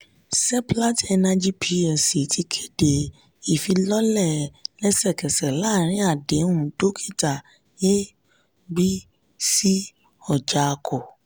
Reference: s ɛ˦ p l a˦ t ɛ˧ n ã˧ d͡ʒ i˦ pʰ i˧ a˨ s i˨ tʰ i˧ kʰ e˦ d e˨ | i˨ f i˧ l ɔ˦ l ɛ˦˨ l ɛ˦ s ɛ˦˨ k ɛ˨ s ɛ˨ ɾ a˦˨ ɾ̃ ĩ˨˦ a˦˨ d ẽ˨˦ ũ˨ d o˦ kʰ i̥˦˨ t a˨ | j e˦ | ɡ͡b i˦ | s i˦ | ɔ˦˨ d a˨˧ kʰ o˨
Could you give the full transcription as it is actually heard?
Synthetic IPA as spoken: s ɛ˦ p l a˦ t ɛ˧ n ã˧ d͡ʒ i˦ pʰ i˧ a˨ s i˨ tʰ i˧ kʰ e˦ d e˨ | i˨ f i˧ l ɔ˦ l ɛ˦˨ l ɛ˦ s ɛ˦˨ k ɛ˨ s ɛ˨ l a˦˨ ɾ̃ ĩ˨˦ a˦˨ d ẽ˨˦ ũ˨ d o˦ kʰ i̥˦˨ t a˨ | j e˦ | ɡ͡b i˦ | s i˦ | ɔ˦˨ d͡ʒ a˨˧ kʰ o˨